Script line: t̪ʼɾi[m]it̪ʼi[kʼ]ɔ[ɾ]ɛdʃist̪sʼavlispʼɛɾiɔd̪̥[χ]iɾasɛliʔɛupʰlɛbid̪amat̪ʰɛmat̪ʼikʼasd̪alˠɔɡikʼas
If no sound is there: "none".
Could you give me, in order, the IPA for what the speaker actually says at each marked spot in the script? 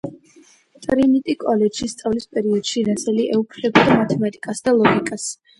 n, kʼ, l, ʃ

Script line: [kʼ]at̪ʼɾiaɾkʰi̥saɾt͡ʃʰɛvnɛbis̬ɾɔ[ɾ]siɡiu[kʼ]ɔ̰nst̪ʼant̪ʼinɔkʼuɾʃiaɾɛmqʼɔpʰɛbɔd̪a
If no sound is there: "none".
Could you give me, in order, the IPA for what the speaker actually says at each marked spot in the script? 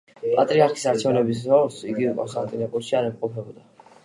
pʼ, ɾ, kʼ

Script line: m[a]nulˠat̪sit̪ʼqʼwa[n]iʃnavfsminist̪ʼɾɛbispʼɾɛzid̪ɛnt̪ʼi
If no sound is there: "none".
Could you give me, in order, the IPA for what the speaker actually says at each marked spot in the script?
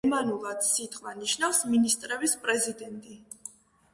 a, n

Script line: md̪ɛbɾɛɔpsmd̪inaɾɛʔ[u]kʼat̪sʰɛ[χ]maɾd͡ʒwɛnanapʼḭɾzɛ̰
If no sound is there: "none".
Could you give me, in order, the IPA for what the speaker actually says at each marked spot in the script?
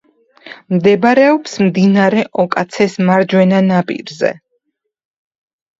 ɔ, s

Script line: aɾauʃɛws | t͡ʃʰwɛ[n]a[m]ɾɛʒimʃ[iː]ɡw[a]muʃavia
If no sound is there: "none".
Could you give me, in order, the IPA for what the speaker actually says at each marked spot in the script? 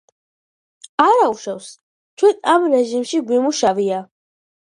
n, m, i, i

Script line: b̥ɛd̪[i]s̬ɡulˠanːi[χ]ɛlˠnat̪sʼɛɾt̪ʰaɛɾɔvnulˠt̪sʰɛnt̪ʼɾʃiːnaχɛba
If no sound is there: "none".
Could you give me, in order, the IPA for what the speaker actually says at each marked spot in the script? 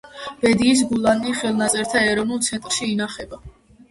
iː, χ

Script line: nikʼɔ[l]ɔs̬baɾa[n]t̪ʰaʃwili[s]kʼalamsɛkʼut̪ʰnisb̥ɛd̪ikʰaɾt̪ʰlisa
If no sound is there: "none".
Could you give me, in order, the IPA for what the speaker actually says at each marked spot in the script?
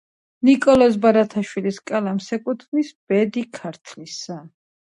l, none, s

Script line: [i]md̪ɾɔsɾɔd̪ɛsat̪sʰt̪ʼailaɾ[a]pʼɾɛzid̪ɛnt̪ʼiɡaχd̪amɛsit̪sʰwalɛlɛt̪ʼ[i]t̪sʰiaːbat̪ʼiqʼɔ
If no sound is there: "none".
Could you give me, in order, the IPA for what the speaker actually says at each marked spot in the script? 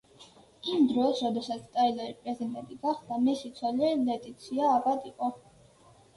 i, i, i

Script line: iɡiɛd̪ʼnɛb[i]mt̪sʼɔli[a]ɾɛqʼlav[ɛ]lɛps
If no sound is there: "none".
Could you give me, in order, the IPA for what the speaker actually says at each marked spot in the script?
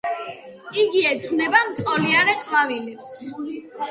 a, a, i

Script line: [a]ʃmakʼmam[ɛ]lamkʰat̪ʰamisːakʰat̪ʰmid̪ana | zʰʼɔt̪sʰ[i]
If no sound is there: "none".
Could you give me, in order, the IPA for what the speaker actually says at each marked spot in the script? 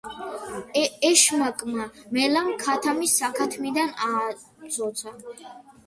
ɛ, ɛ, a

